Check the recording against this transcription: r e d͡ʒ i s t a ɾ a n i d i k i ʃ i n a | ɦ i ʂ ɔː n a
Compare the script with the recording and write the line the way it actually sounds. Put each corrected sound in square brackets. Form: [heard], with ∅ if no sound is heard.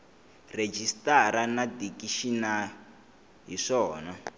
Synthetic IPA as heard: r e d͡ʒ i s t a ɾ a n [a] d i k i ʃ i n a | ɦ i ʂ ɔː n a